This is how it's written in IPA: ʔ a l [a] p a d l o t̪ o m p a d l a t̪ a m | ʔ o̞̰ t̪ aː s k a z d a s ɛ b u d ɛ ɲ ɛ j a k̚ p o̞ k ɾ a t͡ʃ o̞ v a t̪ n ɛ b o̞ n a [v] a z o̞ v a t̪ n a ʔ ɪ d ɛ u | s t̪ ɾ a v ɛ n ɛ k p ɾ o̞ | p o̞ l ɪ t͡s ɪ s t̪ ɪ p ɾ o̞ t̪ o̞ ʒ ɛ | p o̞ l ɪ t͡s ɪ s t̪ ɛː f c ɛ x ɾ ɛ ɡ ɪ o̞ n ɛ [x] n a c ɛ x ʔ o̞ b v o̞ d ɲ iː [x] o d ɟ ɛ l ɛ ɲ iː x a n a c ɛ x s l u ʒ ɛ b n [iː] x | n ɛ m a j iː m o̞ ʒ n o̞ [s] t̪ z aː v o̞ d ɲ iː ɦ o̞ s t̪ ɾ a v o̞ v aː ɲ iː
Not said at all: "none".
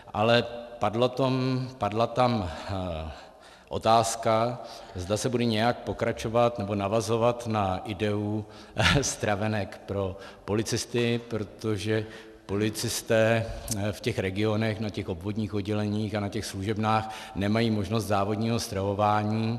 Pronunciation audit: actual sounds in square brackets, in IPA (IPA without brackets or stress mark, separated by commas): ɛ, v, x, x, aː, s